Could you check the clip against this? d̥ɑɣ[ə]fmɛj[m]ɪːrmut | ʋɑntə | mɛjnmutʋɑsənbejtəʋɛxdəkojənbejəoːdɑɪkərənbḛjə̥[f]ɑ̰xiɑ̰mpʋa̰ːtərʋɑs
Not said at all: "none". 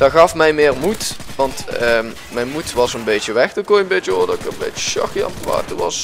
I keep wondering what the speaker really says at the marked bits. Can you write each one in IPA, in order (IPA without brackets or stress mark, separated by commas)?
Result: ɑ, m, ʃ